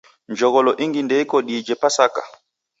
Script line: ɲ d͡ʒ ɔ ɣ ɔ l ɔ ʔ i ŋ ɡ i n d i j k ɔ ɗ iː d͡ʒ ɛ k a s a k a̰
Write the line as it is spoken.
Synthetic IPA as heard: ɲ d͡ʒ ɔ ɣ ɔ l ɔ ʔ i ŋ ɡ i n d ɛ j k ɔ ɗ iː d͡ʒ ɛ p a s a k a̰

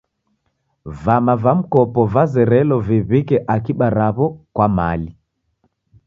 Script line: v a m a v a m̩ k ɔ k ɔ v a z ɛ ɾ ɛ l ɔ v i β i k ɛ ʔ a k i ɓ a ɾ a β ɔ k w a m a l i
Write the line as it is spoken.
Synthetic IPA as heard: v a m a v a m̩ k ɔ p ɔ v a z ɛ ɾ ɛ l ɔ v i β i k ɛ ʔ a k i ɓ a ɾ a β ɔ k w a m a l i

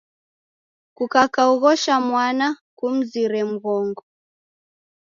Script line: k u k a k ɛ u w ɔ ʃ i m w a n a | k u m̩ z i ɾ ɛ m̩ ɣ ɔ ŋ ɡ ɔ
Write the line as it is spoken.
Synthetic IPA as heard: k u k a k a u ɣ ɔ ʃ a m w a n a | k u m̩ z i ɾ ɛ m̩ ɣ ɔ ŋ ɡ ɔ

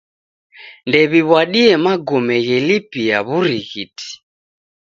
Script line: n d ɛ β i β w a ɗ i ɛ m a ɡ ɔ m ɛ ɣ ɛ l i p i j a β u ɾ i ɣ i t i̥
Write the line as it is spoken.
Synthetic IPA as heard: n d ɛ β i β w a ɗ i ɛ m a ɡ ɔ m ɛ ɣ ɛ l i p i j a β u ɾ i ɣ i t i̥

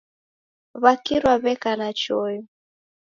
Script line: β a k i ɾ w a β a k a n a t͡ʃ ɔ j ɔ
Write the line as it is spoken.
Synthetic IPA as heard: β a k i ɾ w a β ɛ k a n a t͡ʃ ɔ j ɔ

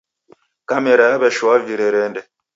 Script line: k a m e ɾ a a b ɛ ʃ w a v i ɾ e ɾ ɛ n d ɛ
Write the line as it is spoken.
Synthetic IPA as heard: k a m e ɾ a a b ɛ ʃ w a v i ɾ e ɾ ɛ n d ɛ

